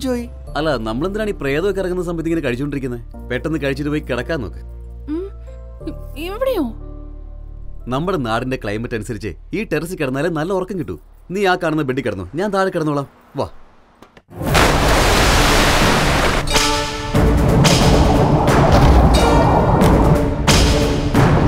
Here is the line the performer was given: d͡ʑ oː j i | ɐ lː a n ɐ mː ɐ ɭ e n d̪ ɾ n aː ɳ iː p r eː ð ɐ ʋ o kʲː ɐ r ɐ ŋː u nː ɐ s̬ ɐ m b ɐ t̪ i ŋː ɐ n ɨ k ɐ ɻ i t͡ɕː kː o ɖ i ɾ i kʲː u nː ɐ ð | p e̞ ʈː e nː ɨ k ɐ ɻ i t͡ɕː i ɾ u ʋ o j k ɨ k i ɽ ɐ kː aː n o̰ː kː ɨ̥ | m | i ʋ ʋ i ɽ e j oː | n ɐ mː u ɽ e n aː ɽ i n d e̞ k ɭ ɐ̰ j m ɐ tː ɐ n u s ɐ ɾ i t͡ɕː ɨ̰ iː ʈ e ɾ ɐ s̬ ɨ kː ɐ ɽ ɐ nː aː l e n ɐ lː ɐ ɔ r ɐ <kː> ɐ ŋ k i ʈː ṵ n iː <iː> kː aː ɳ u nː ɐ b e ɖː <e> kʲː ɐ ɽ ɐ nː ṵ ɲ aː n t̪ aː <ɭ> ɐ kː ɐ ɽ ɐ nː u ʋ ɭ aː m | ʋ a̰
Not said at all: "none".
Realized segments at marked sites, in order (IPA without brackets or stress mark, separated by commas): kː, aː, i, ɾ